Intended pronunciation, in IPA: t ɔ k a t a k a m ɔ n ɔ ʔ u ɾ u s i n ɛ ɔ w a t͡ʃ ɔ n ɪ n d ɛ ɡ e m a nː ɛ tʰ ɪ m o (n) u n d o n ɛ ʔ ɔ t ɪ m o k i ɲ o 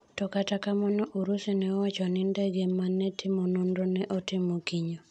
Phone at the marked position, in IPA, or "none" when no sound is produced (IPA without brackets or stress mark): n